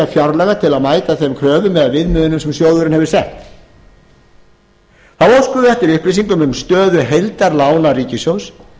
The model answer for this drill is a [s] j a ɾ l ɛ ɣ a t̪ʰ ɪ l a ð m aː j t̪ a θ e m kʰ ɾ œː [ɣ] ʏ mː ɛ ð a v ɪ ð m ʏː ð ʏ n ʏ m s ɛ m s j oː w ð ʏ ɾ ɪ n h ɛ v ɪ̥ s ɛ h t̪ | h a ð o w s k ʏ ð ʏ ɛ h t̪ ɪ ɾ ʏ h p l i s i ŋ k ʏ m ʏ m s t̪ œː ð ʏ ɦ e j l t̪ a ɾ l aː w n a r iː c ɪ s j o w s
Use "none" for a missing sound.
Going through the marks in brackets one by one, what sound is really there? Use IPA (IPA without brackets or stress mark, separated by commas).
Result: f, v